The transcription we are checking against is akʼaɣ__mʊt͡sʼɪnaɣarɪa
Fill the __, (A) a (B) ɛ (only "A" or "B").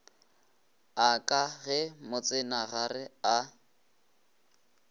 B